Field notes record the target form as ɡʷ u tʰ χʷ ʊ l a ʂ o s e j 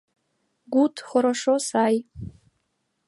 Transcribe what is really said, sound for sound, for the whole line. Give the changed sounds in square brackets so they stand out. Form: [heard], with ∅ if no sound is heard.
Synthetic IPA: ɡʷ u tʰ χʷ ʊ [ɾ] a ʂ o s [a] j